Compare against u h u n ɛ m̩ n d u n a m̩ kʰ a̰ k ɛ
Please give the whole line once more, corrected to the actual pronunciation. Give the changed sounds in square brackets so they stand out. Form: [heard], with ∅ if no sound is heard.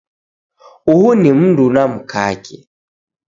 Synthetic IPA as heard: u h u n [i] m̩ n d u n a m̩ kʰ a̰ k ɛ